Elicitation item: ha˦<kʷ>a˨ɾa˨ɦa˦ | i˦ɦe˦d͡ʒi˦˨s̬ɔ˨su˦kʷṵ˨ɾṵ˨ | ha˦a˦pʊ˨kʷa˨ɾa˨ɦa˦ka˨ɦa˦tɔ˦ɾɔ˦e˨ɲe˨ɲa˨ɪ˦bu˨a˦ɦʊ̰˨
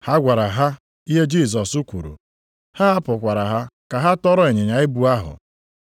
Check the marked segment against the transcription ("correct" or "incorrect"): incorrect